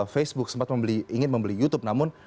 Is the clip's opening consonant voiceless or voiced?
voiceless